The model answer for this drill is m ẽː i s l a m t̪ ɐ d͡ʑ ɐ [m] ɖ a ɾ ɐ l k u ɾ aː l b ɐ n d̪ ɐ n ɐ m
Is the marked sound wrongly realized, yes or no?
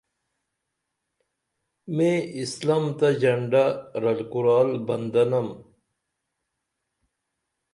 yes